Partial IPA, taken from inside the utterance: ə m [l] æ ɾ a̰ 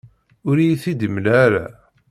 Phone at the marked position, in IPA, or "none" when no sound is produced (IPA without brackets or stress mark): l